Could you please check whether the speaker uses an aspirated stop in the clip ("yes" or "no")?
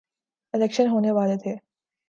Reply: yes